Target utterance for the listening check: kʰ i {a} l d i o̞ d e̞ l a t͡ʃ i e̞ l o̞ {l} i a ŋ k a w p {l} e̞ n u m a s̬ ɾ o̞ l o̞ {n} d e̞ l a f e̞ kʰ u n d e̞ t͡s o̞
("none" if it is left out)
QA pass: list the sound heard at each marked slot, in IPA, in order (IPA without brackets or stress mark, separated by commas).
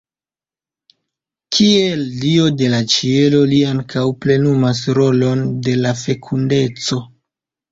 e, l, l, n